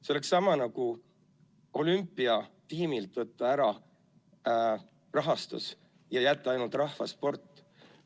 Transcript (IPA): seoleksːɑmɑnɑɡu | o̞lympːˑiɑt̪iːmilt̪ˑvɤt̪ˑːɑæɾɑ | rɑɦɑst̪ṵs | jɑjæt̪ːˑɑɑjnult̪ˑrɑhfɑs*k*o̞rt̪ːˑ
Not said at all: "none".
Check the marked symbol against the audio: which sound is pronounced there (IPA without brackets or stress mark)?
p